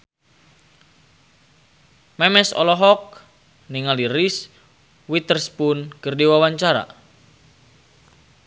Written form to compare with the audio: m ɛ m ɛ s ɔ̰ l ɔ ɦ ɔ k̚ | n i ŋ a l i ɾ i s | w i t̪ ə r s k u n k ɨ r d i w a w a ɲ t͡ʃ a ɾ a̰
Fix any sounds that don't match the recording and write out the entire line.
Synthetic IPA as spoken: m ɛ m ɛ s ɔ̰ l ɔ ɦ ɔ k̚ | n i ŋ a l i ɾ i s | w i t̪ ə r s p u n k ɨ r d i w a w a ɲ t͡ʃ a ɾ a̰